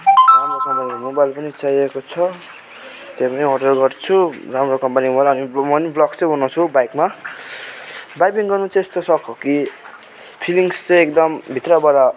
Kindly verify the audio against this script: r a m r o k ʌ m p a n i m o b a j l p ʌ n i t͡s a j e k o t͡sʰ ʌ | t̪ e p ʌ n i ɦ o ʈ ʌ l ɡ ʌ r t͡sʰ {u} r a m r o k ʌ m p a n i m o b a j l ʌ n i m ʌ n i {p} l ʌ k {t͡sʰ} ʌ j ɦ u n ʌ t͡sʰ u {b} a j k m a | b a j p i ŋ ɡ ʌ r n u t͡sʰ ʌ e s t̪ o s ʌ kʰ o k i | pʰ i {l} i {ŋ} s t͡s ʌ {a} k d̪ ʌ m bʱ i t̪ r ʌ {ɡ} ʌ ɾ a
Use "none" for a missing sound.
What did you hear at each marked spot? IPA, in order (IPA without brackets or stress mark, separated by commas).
u, b, t͡s, b, l, ŋ, e, b